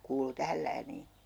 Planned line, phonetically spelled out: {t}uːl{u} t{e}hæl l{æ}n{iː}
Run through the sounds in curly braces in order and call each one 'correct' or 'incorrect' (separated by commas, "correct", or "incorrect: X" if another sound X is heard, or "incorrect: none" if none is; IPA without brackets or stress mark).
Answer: incorrect: k, correct, incorrect: æ, incorrect: æː, correct